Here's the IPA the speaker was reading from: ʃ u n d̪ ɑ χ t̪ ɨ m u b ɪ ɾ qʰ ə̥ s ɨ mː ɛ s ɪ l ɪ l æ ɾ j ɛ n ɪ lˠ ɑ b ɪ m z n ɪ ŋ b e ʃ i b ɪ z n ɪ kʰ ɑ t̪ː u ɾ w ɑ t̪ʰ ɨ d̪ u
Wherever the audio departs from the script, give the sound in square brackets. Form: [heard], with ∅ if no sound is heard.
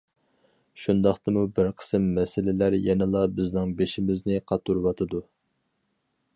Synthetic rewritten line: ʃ u n d̪ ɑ χ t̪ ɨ m u b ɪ ɾ qʰ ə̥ s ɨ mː ɛ s ɪ l ɪ l æ ɾ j ɛ n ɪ lˠ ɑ b ɪ [∅] z n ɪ ŋ b e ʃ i [m] ɪ z n ɪ [qʰ] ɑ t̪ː u ɾ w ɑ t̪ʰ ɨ d̪ u